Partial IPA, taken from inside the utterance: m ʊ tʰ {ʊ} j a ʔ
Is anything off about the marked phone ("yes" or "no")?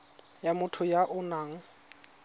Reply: no